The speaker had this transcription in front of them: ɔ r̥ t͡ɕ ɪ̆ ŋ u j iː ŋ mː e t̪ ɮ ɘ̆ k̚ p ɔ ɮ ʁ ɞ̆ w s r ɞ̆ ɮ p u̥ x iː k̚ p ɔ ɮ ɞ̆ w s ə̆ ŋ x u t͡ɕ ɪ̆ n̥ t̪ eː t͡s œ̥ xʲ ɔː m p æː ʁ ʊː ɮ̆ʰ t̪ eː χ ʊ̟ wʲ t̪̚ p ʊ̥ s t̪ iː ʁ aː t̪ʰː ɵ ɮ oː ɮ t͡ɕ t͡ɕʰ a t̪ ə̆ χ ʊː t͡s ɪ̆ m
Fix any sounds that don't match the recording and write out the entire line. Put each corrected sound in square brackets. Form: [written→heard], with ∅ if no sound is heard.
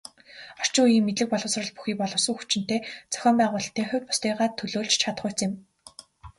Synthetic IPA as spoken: ɔ r̥ t͡ɕ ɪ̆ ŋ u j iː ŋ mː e t̪ ɮ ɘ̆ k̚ p ɔ ɮ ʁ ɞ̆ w s r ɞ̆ ɮ p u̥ x iː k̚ p ɔ ɮ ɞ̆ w s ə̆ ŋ x u t͡ɕ ɪ̆ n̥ t̪ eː t͡s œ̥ xʲ ɔː m p æː ʁ ʊː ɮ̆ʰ t̪ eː χ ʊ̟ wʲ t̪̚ p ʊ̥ s t̪ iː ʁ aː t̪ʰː ɵ ɮ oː ɮ t͡ɕ t͡ɕʰ a t̪ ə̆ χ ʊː t͡s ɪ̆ m